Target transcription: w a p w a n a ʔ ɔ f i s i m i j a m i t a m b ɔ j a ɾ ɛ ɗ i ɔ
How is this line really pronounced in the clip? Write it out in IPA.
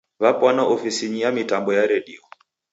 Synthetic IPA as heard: β a p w a n a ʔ ɔ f i s i ɲ i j a m i t a m b ɔ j a ɾ ɛ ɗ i ɔ